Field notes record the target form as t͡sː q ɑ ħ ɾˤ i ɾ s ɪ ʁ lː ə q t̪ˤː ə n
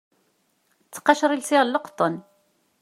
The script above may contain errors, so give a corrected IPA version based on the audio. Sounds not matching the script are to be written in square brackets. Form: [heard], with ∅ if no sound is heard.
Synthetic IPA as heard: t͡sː q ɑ [ʃ] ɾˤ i [l] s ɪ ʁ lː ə q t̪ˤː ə n